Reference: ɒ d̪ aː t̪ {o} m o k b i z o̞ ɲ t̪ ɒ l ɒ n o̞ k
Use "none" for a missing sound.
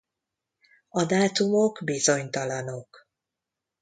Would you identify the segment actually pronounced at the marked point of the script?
u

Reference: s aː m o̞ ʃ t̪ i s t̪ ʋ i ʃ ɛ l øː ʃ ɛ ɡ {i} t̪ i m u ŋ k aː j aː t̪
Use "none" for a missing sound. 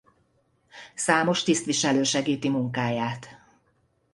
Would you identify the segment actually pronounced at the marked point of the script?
iː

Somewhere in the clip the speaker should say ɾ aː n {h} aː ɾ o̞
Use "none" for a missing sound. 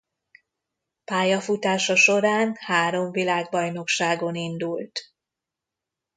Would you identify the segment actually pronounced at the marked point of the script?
h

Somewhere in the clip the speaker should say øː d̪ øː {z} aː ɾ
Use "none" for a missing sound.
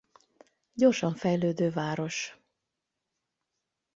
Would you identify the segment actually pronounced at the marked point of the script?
v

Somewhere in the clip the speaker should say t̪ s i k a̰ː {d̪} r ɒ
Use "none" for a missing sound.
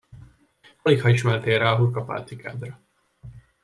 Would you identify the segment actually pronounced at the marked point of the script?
d̪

